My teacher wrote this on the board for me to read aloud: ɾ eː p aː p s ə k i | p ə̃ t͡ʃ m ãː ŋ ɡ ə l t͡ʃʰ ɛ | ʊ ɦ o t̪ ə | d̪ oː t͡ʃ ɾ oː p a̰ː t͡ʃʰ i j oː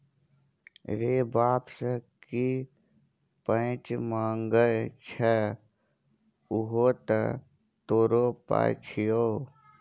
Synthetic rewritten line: ɾ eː b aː p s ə k i | p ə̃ t͡ʃ m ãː ŋ ɡ ə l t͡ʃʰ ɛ | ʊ ɦ o t̪ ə | t̪ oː ɾ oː p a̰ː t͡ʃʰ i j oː